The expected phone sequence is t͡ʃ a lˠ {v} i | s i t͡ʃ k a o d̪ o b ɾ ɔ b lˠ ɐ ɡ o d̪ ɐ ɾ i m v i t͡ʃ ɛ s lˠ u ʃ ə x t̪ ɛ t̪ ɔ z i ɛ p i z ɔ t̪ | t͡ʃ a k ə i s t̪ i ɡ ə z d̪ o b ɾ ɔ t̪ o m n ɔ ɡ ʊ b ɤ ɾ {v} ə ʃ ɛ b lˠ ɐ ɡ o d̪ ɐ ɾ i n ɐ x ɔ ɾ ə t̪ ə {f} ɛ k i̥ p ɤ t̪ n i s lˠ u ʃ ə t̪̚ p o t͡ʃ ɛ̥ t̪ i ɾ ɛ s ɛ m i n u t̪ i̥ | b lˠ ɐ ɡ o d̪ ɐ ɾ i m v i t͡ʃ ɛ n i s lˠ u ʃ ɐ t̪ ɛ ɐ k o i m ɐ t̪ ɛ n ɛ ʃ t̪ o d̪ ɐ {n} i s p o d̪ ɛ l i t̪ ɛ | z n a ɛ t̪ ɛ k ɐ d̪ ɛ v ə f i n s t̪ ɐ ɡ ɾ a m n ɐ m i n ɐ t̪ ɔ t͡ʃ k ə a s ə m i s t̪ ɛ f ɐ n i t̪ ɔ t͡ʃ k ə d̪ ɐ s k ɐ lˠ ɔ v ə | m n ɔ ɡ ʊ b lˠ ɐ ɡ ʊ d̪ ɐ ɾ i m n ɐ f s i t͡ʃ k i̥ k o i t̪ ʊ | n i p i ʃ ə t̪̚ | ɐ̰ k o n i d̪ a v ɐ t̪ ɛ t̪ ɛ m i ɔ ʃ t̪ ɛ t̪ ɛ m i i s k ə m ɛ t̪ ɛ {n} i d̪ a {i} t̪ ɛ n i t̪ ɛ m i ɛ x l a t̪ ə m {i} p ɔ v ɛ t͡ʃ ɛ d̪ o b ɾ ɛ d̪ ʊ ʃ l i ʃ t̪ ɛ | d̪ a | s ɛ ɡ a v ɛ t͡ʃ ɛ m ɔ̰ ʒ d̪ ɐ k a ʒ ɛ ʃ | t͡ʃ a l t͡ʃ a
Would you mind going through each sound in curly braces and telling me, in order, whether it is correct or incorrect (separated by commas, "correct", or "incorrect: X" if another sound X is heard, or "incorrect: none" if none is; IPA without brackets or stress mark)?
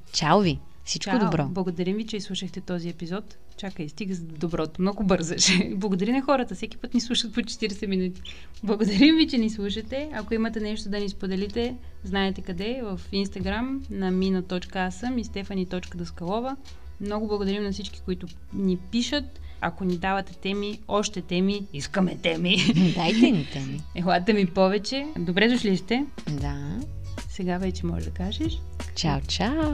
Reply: correct, incorrect: z, incorrect: s, correct, incorrect: m, incorrect: j, correct